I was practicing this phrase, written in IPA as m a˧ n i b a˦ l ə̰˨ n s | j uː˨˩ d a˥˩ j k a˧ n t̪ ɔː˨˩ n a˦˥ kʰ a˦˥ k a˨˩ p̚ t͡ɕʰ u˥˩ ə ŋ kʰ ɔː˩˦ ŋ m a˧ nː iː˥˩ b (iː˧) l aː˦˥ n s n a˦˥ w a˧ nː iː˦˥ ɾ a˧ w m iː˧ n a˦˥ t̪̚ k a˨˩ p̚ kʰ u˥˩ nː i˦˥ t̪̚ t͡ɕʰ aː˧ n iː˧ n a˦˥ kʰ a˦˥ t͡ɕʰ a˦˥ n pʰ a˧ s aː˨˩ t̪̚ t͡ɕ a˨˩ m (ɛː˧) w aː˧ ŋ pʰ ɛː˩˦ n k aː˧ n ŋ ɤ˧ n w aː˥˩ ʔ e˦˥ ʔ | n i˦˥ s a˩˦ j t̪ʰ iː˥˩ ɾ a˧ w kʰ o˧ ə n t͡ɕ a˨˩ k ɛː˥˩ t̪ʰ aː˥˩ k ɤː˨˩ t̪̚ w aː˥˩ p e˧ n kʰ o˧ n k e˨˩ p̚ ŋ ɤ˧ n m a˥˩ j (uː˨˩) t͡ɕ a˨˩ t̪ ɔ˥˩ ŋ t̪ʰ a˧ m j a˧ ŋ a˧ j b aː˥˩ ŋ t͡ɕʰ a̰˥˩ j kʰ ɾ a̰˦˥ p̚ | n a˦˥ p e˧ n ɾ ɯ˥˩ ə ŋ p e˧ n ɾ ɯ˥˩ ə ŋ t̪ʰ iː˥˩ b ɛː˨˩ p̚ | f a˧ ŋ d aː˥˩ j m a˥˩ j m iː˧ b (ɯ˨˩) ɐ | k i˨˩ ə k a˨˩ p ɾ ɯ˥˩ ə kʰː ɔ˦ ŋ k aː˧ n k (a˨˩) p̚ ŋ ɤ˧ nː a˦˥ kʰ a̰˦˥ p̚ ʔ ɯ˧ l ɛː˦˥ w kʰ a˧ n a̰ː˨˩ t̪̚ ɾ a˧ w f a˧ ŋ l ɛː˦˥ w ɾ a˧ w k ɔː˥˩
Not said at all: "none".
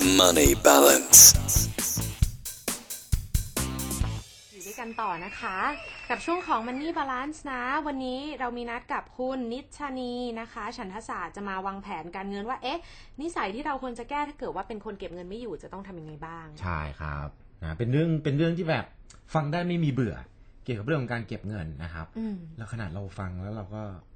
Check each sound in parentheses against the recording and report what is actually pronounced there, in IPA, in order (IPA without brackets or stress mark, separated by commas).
aː˧, aː˧, uː˨˩, ɯ˨˩, e˨˩